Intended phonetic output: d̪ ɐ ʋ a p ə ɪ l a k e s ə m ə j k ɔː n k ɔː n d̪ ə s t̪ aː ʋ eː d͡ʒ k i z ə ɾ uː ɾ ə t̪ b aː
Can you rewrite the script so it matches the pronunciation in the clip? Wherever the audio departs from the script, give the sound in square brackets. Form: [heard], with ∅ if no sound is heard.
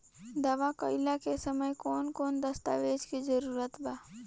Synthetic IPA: d̪ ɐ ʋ a [k] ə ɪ l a k e s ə m ə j k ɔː n k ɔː n d̪ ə s t̪ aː ʋ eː d͡ʒ k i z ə ɾ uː ɾ ə t̪ b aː